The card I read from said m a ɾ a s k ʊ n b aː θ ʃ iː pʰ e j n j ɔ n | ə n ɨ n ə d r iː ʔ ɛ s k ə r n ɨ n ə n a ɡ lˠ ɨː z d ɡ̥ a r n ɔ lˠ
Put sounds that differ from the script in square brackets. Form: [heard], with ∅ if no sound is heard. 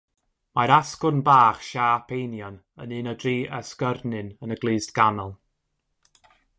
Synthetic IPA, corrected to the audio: m a ɾ a s k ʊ n b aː [χ] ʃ [aː] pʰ e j n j ɔ n | ə n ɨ n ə d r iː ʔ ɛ s k ə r n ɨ n ə n [ə] ɡ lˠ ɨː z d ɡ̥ a [∅] n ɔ lˠ